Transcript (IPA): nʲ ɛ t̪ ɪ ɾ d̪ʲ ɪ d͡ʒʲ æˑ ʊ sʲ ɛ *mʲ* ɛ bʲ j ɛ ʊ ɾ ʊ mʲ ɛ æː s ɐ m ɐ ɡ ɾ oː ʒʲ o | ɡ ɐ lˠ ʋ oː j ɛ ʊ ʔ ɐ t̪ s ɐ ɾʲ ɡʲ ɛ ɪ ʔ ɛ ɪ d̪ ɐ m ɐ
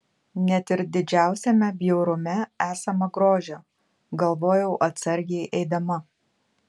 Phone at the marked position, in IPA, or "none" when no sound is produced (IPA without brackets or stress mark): mʲ